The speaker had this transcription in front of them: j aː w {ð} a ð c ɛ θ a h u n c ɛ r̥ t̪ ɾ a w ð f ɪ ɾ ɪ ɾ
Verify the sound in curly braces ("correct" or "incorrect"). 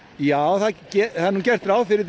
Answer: incorrect